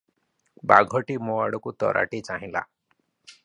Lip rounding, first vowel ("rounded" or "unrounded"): unrounded